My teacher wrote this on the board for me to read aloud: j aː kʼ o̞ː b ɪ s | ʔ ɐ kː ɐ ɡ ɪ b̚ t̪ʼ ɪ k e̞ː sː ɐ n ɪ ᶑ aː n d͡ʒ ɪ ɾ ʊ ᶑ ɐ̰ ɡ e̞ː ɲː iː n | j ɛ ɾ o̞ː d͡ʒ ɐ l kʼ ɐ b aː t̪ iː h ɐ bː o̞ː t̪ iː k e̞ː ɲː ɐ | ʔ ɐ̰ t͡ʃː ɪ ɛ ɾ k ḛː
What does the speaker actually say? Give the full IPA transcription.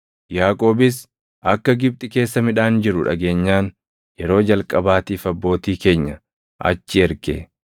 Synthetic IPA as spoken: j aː kʼ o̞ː b ɪ s | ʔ ɐ kː ɐ ɡ ɪ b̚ t̪ʼ ɪ k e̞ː sː ɐ m ɪ ᶑ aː n d͡ʒ ɪ ɾ ʊ ᶑ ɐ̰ ɡ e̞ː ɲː aː n | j ɛ ɾ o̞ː d͡ʒ ɐ l kʼ ɐ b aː t̪ iː f ɐ bː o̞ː t̪ iː k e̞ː ɲː ɐ | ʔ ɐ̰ t͡ʃː ɪ ɛ ɾ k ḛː